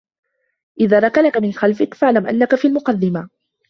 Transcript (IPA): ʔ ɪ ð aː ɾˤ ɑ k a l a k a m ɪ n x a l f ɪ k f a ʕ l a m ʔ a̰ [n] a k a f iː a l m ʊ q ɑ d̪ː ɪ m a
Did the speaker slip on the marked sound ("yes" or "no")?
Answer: yes